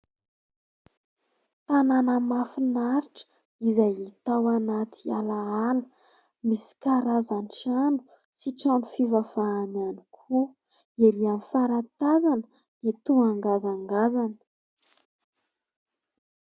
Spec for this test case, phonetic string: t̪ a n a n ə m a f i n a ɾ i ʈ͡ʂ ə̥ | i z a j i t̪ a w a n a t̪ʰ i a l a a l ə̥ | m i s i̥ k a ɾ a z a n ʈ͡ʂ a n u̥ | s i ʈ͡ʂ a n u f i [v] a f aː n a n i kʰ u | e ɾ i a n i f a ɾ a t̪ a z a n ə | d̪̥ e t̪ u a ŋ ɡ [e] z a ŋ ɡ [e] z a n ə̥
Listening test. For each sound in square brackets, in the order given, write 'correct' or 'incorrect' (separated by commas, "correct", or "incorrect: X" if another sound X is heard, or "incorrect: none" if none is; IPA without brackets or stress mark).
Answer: correct, incorrect: a, incorrect: a